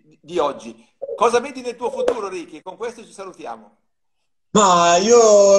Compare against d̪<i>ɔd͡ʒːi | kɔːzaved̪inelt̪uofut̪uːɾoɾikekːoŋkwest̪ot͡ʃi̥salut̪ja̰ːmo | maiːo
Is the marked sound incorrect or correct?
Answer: correct